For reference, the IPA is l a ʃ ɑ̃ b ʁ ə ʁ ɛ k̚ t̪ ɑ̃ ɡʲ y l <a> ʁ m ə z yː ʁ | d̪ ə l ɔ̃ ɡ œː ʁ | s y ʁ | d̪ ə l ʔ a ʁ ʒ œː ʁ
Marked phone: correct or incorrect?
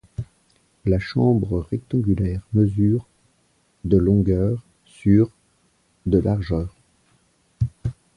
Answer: incorrect